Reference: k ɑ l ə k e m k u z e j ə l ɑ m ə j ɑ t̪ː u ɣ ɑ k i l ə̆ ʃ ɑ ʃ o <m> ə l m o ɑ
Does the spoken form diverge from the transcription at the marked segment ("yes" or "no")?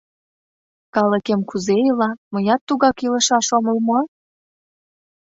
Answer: no